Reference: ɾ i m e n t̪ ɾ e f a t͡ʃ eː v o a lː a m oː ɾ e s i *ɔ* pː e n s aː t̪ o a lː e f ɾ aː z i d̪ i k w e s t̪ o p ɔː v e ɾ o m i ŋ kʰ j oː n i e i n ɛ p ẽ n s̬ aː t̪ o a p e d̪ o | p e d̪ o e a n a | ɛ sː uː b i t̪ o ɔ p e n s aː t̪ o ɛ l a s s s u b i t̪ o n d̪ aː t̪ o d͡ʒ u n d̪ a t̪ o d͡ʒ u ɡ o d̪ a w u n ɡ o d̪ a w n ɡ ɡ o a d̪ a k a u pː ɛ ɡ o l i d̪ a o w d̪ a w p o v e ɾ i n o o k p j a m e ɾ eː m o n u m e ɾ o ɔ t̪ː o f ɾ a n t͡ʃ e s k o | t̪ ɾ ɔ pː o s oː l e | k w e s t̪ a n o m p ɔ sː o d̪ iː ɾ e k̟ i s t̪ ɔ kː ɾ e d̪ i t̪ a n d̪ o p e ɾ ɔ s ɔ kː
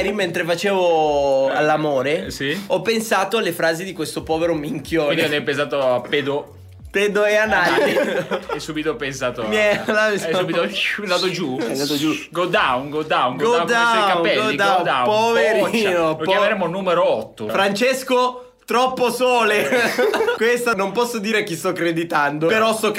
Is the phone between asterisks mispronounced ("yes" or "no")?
no